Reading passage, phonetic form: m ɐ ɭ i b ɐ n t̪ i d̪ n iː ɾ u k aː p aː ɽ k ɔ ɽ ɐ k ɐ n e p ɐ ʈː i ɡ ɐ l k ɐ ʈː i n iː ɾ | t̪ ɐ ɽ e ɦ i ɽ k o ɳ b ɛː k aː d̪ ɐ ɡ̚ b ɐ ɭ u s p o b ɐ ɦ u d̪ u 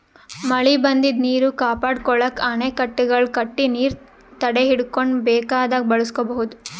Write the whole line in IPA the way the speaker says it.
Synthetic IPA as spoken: m ɐ ɭ i b ɐ n d̪ i d̪ n iː ɾ u k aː p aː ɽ k ɔ ɭ ɐ k ɐ n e k ɐ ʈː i ɡ ɐ ɭ k ɐ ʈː i n iː ɾ | t̪ ɐ ɽ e ɦ i ɽ k o ɳ b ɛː k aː d̪ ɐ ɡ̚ b ɐ ɭ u s k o b ɐ ɦ u d̪ u